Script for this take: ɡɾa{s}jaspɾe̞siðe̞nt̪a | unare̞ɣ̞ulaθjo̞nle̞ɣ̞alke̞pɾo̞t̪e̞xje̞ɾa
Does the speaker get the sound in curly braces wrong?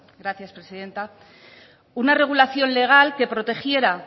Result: yes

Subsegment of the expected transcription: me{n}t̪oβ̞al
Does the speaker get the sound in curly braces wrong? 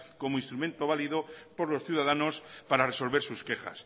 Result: no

